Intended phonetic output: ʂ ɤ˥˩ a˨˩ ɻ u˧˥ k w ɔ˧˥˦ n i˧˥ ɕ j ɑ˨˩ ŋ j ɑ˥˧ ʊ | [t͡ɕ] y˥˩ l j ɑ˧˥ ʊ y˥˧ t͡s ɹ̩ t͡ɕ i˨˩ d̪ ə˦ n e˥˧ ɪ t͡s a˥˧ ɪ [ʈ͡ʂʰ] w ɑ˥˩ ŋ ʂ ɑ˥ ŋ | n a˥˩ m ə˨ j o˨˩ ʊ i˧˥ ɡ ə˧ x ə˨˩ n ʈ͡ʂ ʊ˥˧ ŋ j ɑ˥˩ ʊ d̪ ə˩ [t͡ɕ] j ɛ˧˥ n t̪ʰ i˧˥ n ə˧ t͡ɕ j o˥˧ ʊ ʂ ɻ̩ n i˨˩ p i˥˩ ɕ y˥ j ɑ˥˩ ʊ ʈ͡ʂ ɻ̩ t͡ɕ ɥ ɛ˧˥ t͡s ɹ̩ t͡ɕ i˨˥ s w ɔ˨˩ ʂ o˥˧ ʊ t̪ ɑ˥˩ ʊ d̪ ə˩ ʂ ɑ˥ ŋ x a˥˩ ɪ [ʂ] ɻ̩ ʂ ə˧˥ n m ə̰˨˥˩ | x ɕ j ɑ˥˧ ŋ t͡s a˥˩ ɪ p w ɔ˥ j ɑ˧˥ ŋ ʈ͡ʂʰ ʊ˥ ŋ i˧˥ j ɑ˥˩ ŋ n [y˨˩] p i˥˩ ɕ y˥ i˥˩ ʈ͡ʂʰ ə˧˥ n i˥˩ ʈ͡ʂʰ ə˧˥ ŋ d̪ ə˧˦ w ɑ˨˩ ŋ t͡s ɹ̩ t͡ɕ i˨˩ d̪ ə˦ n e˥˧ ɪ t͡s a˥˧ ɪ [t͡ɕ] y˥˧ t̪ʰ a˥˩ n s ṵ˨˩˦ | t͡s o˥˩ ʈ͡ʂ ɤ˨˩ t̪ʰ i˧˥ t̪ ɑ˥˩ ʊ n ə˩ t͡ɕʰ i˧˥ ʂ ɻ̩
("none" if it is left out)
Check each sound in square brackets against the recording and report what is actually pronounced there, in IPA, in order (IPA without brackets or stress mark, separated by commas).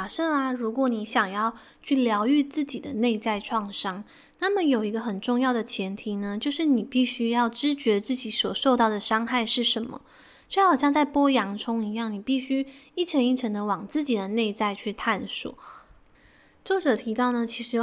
t͡ɕʰ, ʈ͡ʂʰ, t͡ɕʰ, ʂ, i˨˩, t͡ɕʰ